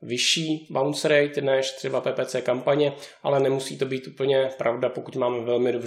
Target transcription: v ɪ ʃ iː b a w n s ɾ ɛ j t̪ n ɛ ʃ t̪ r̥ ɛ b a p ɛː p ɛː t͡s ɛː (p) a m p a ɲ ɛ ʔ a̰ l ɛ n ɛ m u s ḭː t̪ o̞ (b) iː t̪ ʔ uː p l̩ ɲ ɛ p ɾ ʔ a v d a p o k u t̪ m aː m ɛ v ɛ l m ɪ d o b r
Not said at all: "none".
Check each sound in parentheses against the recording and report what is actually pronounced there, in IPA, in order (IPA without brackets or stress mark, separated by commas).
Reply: k, b